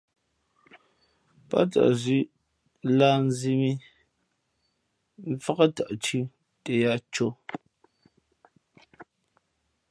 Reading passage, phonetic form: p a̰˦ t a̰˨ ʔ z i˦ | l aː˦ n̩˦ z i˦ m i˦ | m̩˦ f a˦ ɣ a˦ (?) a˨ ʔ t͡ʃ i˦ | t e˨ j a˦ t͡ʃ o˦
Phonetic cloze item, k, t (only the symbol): t